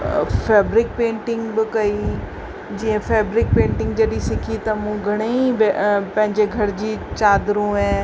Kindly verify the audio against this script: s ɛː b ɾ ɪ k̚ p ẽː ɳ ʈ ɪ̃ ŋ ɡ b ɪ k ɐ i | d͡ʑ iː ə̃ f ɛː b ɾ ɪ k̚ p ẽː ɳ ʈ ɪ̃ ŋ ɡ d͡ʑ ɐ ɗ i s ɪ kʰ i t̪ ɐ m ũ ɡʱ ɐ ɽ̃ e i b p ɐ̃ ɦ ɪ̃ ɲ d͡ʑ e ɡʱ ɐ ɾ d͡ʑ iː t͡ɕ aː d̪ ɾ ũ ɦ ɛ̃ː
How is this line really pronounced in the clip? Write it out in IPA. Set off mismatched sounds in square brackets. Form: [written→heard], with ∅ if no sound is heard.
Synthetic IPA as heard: [s→f] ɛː b ɾ ɪ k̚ p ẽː ɳ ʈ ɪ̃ ŋ ɡ b ɪ k ɐ i | d͡ʑ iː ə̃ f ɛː b ɾ ɪ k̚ p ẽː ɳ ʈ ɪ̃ ŋ ɡ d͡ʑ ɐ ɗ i s ɪ kʰ i t̪ ɐ m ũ ɡʱ ɐ ɽ̃ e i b p ɐ̃ ɦ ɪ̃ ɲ d͡ʑ e ɡʱ ɐ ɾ d͡ʑ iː t͡ɕ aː d̪ ɾ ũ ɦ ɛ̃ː